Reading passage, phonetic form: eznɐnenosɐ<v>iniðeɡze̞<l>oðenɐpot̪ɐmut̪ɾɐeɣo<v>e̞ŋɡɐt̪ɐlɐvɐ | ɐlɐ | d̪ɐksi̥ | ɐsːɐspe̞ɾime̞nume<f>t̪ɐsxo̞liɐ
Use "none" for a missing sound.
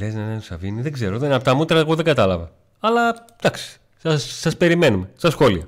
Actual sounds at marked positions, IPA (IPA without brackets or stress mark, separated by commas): v, ɾ, ð, s